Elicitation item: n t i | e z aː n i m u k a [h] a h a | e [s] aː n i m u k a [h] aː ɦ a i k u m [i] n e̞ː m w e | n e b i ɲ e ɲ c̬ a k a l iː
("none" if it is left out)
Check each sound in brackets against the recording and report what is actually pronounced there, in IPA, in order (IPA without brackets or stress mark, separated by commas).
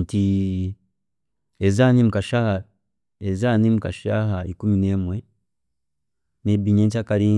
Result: ʃ, z, ʃ, i